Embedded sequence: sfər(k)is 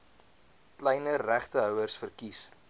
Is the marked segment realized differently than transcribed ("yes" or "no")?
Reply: no